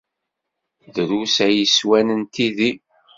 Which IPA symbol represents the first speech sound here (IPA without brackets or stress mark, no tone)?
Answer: ð